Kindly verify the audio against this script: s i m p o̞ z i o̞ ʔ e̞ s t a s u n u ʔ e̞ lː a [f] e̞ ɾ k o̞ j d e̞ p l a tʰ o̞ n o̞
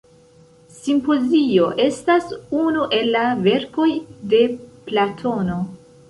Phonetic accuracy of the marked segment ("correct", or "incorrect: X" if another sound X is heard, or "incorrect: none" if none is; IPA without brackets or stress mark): incorrect: v